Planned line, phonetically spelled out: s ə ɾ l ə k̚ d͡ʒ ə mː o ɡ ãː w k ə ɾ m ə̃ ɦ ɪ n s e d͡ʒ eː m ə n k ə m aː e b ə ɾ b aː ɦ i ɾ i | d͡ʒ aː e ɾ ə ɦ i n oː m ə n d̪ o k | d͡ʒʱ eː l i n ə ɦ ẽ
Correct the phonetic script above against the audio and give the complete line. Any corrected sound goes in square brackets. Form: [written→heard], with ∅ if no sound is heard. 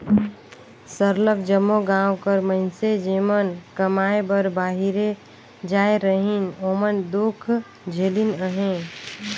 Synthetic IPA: s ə ɾ l ə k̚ d͡ʒ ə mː o ɡ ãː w k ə ɾ m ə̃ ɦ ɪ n s e d͡ʒ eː m ə n k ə m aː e b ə ɾ b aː ɦ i ɾ [i→e] | d͡ʒ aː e ɾ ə ɦ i n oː m ə n d̪ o [k→kʰ] | d͡ʒʱ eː l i n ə ɦ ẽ